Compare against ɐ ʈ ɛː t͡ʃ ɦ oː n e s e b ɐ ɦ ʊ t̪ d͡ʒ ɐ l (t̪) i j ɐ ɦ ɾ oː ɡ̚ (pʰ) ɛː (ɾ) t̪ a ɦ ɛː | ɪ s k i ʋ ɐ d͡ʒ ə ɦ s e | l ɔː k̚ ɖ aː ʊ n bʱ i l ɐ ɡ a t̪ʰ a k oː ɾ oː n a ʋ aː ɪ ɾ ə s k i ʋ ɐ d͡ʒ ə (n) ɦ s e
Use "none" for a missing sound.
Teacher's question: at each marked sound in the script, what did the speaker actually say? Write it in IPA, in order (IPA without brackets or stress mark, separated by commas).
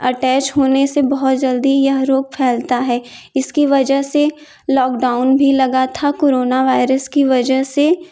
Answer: d̪, pʰ, l, none